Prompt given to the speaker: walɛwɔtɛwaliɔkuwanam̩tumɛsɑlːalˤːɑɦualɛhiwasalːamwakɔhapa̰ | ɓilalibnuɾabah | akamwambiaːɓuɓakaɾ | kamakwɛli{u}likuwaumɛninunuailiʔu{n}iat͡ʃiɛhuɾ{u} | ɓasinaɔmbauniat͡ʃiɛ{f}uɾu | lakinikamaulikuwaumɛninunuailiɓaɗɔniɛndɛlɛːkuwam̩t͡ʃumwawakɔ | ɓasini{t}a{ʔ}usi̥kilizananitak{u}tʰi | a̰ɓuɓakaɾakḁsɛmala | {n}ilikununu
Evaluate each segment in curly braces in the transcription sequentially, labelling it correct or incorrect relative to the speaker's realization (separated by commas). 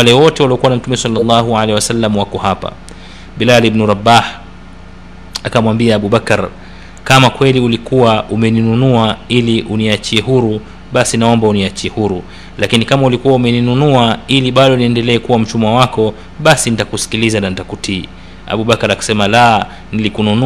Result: correct, correct, correct, incorrect, correct, incorrect, correct, correct